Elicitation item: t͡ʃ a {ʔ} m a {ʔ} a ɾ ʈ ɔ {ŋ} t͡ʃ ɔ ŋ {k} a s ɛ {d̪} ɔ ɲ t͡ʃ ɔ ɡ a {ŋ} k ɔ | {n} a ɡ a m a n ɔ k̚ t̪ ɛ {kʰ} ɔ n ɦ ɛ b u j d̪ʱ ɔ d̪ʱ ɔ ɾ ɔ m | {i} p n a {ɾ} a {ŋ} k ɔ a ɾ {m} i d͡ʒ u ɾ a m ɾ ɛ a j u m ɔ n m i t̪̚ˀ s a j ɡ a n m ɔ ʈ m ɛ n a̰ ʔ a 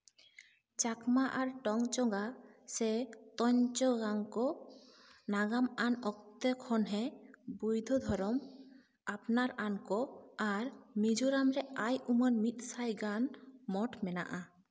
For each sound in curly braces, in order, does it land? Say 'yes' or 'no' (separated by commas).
no, yes, yes, no, no, yes, yes, yes, no, yes, no, yes